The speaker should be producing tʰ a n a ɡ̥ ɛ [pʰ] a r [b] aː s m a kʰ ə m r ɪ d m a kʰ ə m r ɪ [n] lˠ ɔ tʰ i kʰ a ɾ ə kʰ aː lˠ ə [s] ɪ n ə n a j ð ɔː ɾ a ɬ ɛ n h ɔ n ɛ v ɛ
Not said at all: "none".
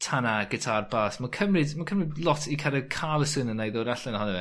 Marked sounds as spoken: tʰ, b, d, s

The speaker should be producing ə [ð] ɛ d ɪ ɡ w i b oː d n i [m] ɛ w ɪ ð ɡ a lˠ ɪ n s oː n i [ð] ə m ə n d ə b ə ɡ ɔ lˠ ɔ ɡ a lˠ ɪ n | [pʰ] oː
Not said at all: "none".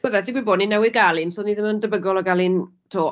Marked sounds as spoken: ð, n, ð, tʰ

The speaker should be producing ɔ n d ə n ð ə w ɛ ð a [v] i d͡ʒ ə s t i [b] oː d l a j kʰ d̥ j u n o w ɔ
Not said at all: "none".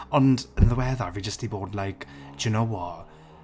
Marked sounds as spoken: v, b

